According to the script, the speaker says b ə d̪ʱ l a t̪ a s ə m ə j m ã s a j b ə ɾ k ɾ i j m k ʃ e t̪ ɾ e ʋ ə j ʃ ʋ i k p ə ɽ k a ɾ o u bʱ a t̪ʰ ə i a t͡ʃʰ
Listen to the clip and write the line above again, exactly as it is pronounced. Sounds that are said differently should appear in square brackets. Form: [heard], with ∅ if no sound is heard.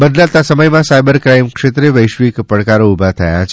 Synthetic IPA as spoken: b ə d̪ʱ l a t̪ a s ə m ə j m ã s a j b ə ɾ k ɾ [a] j m k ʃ e t̪ ɾ e ʋ ə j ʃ ʋ i k p ə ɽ k a ɾ o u bʱ a t̪ʰ ə [j] a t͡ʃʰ

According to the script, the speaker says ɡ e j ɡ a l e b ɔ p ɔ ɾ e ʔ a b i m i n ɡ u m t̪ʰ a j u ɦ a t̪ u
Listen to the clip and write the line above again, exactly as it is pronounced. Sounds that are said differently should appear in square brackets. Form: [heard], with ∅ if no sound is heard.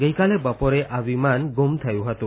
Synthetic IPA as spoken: ɡ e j [k] a l e b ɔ p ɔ ɾ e ʔ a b i m [a] n ɡ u m t̪ʰ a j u ɦ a t̪ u

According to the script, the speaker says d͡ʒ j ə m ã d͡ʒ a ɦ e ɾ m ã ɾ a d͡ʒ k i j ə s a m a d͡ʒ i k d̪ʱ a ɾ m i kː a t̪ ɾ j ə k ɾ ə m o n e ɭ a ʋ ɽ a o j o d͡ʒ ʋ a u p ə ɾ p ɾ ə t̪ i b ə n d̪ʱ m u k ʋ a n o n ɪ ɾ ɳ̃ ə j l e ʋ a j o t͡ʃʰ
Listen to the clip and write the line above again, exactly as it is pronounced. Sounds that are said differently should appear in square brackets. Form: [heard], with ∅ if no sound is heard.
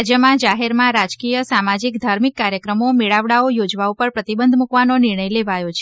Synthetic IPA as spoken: d͡ʒ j ə m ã d͡ʒ a ɦ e ɾ m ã ɾ a d͡ʒ k i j ə s a m a d͡ʒ i k d̪ʱ a ɾ m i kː a [∅] ɾ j ə k ɾ ə m o [m] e ɭ a ʋ ɽ a o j o d͡ʒ ʋ a u p ə ɾ p ɾ ə t̪ i b ə n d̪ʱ m u k ʋ a n o n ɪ ɾ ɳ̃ ə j l e ʋ a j o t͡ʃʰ

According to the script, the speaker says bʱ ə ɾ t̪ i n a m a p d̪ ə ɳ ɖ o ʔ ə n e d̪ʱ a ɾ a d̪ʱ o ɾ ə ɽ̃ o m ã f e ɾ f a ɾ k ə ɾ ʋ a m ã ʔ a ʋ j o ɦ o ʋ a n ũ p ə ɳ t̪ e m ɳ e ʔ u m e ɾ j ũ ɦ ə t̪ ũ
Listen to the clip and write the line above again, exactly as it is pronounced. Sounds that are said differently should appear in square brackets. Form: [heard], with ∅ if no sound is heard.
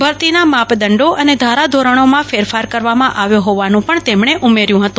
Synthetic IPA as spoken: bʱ ə ɾ t̪ i n a m a p d̪ ə ɳ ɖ o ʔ ə n e d̪ʱ a ɾ a d̪ʱ o ɾ ə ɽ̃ o m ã f e ɾ f a ɾ k ə ɾ ʋ a m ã ʔ a ʋ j o ɦ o ʋ a n ũ p ə ɳ t̪ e m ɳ e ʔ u m e ɾ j ũ ɦ ə t̪ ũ

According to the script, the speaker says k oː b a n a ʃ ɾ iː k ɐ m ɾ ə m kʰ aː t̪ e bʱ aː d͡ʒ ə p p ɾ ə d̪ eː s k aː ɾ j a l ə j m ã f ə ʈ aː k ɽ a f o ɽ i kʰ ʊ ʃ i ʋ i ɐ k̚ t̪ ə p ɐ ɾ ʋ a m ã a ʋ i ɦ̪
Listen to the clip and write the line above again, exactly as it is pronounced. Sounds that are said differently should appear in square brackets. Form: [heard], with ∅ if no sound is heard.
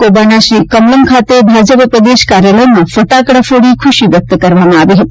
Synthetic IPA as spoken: k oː b a n a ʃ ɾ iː k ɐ m [l] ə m kʰ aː t̪ e bʱ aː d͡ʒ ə p p ɾ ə d̪ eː [ʃ] k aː ɾ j a l ə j m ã f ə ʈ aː k ɽ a f o ɽ i kʰ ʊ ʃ i ʋ [j] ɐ k̚ t̪ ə [k] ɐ ɾ ʋ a m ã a ʋ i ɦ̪

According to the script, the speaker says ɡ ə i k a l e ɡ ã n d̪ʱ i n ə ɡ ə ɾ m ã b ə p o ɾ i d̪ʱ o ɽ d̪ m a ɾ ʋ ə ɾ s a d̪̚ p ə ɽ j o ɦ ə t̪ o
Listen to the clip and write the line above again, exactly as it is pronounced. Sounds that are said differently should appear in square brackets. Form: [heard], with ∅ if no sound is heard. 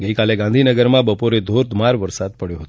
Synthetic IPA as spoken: ɡ ə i k a l e ɡ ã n d̪ʱ i n ə ɡ ə ɾ m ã b ə p o ɾ [e] d̪ʱ o [ɾ] d̪ m a ɾ ʋ ə ɾ s a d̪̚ p ə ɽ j o ɦ ə t̪ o

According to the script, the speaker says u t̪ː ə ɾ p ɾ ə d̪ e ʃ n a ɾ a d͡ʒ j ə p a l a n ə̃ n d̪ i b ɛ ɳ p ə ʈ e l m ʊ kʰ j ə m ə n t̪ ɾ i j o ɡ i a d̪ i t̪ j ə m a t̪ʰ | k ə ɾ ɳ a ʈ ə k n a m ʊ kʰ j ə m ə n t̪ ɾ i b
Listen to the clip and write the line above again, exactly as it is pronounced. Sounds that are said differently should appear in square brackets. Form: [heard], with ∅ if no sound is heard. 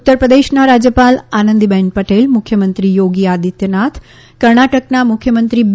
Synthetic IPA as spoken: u t̪ː ə ɾ p ɾ ə d̪ e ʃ n a ɾ a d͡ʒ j ə p a l a n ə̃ n d̪ i b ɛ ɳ p ə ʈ e l m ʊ kʰ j ə m ə n t̪ ɾ i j o ɡ i a d̪ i t̪ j ə [n] a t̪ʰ | k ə ɾ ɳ a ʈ ə k n a m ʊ kʰ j ə m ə n t̪ ɾ i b

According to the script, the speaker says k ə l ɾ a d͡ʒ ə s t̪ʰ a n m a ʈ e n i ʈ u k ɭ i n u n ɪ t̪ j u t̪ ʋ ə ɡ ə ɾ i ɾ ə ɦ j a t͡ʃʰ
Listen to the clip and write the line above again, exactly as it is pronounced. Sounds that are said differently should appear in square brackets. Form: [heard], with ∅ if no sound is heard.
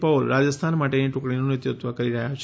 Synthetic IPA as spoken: [p] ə l ɾ a d͡ʒ ə s t̪ʰ a n m a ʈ e n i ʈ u k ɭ i n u n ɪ t̪ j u t̪ ʋ ə [k] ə ɾ i ɾ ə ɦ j a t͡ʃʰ

